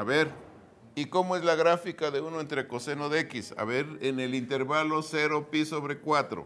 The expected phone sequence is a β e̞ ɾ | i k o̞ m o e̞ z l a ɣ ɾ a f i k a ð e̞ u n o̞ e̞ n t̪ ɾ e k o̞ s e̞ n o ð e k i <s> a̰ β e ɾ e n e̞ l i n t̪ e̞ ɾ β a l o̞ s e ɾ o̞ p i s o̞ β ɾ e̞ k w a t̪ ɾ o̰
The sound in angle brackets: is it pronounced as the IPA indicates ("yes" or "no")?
yes